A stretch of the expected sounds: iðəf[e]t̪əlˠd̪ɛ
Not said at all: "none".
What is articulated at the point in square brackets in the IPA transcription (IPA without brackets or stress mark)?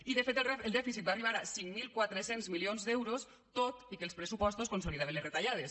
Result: e